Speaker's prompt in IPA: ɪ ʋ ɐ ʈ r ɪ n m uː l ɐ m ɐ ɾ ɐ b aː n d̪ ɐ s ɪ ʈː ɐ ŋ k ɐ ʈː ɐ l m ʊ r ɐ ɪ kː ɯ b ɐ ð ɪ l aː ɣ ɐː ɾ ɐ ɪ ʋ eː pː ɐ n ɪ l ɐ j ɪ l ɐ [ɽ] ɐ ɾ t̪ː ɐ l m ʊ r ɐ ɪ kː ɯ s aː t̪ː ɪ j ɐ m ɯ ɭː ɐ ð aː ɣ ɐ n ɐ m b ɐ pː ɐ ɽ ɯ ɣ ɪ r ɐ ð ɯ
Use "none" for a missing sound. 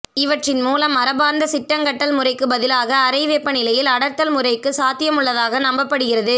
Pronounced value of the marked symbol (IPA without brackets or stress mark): ɽ